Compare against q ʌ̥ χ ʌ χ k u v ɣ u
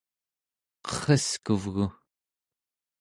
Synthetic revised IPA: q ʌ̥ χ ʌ s k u v ɣ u